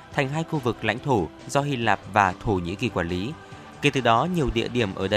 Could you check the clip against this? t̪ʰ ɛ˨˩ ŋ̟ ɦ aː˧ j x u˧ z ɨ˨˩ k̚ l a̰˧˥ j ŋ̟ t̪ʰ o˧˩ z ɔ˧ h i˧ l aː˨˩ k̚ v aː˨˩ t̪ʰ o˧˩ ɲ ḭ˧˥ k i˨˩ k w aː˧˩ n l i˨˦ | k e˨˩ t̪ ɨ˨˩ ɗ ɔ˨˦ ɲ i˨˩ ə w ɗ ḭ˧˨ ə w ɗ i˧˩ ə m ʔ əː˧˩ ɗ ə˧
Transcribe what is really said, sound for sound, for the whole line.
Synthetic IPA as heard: t̪ʰ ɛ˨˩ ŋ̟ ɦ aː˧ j x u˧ v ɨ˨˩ k̚ l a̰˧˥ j ŋ̟ t̪ʰ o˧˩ z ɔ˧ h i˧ l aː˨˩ p̚ v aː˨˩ t̪ʰ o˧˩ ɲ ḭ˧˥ k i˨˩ k w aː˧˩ n l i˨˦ | k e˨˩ t̪ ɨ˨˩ ɗ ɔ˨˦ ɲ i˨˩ ə w ɗ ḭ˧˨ ə ɗ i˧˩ ə m ʔ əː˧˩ ɗ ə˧